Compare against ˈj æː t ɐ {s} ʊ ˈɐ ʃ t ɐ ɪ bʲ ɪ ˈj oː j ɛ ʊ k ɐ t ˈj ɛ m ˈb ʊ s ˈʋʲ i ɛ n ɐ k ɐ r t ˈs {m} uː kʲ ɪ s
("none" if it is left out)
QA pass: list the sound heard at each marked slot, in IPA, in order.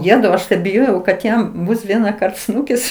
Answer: none, n

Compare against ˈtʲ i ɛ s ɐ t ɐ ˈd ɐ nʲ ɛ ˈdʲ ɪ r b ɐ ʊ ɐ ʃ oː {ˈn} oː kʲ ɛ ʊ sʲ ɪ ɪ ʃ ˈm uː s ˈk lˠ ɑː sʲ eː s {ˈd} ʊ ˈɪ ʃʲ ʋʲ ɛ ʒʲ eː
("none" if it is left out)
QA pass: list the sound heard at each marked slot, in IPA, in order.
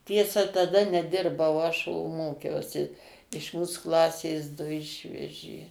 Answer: m, d

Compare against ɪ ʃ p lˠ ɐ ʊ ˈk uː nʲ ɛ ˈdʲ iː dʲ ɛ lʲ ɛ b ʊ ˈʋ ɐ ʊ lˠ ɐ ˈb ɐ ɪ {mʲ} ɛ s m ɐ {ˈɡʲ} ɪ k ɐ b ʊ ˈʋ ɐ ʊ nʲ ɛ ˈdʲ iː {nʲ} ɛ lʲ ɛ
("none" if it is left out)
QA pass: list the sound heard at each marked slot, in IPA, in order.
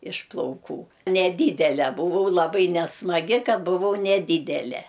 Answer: nʲ, ɡʲ, dʲ

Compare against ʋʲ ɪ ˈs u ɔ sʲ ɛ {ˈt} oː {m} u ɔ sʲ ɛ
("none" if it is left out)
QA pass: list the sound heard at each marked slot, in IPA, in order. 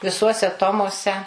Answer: t, m

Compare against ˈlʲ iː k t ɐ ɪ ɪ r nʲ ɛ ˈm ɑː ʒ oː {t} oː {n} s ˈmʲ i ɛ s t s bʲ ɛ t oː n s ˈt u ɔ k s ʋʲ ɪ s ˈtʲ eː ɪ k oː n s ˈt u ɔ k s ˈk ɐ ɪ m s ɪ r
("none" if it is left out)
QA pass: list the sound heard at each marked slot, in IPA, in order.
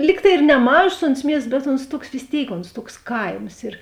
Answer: s, n

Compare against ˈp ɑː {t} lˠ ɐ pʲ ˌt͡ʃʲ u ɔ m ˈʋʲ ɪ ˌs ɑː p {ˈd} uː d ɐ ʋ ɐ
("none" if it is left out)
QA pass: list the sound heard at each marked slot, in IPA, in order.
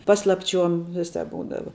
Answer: s, b

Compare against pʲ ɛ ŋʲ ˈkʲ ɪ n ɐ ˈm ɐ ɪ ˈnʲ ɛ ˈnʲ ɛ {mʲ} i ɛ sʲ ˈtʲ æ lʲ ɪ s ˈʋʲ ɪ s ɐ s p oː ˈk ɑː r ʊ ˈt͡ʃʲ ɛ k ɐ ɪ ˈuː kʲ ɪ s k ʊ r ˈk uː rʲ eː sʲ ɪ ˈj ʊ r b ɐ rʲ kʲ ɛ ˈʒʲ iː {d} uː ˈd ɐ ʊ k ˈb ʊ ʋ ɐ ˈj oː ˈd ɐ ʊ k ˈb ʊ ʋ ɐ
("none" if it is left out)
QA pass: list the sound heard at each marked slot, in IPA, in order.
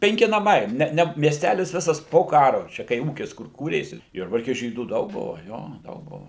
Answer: mʲ, d

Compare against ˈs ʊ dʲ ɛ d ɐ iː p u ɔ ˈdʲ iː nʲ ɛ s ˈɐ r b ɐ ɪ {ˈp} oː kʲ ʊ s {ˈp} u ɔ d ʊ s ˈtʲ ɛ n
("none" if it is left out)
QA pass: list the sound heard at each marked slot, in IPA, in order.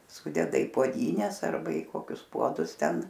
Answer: k, p

